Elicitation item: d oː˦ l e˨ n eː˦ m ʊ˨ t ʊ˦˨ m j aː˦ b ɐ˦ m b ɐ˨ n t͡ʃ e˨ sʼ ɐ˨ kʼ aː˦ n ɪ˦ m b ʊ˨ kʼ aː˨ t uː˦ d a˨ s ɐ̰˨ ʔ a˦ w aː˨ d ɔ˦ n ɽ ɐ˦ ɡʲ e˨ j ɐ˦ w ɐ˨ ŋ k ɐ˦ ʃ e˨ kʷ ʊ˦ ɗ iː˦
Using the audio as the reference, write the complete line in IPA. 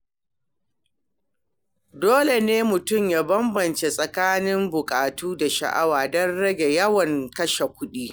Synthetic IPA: d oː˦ l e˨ n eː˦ m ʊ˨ t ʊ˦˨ m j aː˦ b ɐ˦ m b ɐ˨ n t͡ʃ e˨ sʼ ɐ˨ k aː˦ n ɪ˦ m b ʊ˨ kʼ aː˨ t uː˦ d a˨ ʃ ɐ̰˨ ʔ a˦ w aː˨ d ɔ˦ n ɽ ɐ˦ ɡʲ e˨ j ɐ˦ w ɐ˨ ŋ k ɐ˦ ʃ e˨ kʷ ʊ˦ ɗ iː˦